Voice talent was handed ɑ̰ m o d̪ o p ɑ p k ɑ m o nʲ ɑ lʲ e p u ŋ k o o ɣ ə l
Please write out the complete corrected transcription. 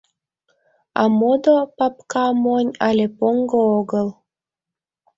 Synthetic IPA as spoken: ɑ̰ m o d̪ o p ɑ p k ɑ m o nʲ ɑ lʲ e p o ŋ ɡ o o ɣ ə l